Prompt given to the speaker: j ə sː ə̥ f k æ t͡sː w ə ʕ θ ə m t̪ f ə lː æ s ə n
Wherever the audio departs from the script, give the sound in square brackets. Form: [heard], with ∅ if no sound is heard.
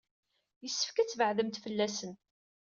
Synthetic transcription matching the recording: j ə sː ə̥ f k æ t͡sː [v] ə ʕ [ð] ə m t̪ f ə lː æ s ə n